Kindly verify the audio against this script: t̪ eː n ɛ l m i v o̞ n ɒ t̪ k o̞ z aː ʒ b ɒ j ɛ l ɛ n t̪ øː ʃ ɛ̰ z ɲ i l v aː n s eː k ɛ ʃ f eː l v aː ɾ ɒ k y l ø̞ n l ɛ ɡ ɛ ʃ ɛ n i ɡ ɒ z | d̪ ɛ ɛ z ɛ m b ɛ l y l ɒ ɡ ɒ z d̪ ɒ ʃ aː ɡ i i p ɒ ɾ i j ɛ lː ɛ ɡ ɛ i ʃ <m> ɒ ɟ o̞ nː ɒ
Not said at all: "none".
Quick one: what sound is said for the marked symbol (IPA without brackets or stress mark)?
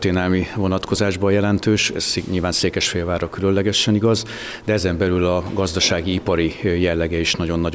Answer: n